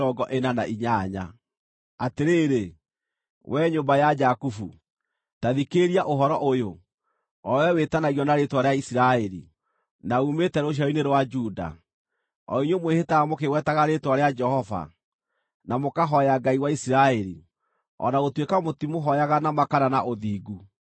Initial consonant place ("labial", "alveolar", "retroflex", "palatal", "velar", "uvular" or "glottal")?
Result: velar